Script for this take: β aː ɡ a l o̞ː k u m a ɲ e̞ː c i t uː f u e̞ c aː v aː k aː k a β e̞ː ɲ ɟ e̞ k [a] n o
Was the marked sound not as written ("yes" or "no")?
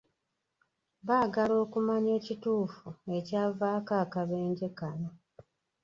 no